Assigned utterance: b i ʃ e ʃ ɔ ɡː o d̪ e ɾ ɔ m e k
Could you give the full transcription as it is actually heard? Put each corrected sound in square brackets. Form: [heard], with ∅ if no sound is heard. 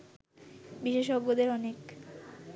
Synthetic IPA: b i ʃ e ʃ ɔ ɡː o d̪ e ɾ ɔ [n] e k